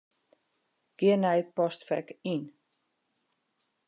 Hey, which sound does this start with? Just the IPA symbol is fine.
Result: ɡ̥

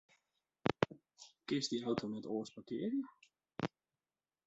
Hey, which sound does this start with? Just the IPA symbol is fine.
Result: k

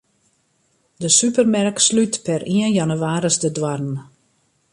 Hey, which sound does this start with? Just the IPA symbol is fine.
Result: d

